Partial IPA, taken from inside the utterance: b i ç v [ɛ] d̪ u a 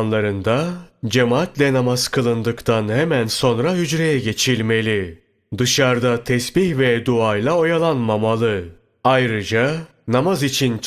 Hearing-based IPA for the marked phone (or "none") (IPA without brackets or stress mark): ɛ